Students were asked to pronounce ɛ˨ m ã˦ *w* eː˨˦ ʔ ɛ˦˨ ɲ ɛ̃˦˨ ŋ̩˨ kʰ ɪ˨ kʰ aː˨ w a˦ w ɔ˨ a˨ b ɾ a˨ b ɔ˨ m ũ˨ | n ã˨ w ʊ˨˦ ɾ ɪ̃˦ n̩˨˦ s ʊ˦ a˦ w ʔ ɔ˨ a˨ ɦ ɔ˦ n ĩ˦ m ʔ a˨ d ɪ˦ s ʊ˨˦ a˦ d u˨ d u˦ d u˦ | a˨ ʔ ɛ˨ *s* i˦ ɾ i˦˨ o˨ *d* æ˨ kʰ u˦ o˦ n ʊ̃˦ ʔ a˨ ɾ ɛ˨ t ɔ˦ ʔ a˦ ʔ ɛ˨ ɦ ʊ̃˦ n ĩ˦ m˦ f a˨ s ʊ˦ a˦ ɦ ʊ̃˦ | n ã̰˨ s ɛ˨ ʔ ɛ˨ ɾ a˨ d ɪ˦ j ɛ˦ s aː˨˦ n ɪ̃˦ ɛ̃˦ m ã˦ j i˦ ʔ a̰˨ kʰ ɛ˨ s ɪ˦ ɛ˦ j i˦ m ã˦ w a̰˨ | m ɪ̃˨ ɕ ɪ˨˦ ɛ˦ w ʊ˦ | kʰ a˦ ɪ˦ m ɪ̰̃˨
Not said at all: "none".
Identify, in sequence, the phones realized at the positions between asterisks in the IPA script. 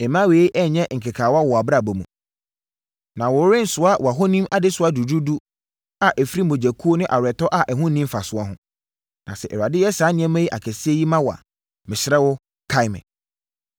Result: w, f, d͡ʑ

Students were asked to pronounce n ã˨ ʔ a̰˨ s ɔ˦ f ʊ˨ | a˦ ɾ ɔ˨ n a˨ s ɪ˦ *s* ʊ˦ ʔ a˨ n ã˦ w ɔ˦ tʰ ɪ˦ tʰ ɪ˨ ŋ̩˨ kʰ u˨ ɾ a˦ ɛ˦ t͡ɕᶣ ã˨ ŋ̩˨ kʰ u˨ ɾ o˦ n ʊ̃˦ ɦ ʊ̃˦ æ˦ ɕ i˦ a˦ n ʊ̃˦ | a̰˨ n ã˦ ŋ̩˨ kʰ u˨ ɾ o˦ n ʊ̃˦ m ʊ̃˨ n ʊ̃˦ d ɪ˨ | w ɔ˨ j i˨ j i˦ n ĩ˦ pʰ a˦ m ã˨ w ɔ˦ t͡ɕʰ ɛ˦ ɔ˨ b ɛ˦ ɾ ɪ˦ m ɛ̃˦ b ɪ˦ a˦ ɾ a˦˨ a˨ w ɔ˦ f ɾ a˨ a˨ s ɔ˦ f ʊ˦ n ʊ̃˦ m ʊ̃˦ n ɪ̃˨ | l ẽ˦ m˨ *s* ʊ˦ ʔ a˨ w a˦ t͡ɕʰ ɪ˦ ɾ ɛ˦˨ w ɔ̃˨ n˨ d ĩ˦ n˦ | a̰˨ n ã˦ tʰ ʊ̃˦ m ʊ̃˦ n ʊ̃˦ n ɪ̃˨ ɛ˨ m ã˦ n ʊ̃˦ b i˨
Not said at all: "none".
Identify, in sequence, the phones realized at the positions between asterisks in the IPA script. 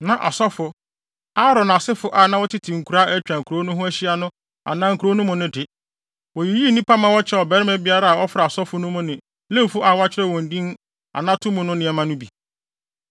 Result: f, f

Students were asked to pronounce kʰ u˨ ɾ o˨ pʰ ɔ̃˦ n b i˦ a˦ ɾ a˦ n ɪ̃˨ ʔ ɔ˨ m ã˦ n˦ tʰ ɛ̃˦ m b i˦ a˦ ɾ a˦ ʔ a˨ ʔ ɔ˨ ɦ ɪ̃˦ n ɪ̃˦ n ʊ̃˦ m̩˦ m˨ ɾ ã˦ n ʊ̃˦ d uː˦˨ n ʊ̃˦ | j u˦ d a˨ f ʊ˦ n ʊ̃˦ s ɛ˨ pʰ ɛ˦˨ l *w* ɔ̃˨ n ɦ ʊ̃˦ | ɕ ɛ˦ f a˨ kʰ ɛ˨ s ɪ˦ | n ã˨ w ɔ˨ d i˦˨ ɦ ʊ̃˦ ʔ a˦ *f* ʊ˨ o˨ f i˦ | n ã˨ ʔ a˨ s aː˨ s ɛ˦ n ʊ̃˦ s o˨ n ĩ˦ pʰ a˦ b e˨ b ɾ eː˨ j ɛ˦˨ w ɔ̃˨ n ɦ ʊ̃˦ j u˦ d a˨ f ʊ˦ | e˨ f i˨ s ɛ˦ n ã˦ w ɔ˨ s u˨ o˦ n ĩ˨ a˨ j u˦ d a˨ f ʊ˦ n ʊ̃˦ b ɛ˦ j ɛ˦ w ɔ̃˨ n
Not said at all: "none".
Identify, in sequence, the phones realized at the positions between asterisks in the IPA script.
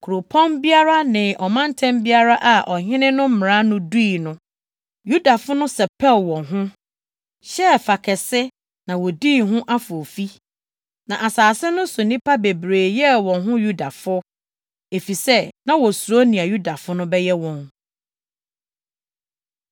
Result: w, f

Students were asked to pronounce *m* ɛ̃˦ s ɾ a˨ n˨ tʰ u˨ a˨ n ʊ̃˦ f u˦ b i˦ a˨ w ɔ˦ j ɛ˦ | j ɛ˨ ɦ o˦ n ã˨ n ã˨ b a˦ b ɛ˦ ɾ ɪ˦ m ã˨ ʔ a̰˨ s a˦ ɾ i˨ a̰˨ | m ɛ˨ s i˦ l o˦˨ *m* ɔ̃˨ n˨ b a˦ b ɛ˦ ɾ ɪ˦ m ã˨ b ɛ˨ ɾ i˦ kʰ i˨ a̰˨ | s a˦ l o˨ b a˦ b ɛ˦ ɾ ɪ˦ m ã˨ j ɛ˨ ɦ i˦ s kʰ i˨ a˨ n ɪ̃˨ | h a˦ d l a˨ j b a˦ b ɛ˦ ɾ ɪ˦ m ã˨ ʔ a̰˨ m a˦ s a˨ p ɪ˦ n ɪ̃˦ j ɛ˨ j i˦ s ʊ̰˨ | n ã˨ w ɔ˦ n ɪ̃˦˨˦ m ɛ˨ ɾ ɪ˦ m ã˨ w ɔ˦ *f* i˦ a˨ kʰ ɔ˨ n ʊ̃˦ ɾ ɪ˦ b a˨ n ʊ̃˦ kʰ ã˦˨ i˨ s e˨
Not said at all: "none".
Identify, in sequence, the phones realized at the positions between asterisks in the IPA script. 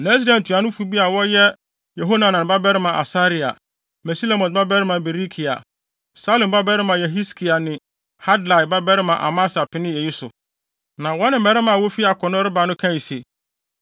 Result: n, m, f

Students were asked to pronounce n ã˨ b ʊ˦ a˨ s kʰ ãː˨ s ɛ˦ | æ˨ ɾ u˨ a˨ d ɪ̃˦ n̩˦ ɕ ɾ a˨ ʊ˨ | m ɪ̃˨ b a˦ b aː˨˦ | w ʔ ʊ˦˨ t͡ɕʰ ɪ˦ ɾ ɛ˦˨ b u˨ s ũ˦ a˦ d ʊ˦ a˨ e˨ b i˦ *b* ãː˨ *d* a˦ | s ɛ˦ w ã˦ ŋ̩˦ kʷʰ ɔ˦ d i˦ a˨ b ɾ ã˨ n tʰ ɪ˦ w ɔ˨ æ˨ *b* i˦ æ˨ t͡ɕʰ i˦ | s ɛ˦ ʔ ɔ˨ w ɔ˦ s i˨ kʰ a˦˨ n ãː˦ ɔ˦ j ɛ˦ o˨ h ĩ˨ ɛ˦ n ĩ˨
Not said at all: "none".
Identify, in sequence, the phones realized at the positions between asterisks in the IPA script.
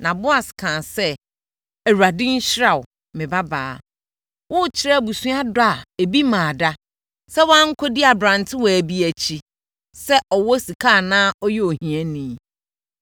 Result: m, d, b

